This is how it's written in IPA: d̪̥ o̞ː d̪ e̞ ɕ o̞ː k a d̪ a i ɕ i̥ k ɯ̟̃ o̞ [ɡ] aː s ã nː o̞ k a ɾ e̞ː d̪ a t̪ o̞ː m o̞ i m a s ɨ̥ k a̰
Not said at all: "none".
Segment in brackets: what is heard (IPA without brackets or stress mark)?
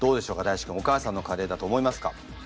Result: k